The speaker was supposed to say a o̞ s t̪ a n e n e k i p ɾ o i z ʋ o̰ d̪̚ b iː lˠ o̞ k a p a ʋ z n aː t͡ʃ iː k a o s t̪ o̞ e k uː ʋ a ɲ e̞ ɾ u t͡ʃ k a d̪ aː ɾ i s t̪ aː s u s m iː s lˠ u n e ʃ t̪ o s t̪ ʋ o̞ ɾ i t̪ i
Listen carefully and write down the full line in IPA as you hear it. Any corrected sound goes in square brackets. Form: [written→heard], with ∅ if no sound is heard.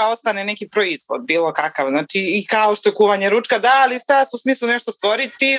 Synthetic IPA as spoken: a o̞ s t̪ a n e n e k i p ɾ o i z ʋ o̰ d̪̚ b iː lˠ o̞ k a [p→k] a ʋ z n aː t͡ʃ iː k a o [s→ʃ] t̪ o̞ e k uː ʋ a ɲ e̞ ɾ u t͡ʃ k a d̪ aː [ɾ→l] i s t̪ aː s u s m iː s lˠ u n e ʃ t̪ o s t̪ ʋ o̞ ɾ i t̪ i